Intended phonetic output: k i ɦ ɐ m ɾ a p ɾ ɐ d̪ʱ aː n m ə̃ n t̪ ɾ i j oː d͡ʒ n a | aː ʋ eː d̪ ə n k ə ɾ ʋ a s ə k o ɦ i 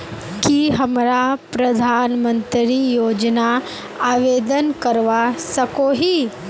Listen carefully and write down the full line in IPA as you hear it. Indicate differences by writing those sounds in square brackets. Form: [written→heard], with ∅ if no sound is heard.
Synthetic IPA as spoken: k i ɦ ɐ m ɾ a p ɾ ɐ d̪ʱ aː n m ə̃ n t̪ ɾ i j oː d͡ʒ n a | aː ʋ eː d̪ ə n k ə ɾ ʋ a s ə k o ɦ i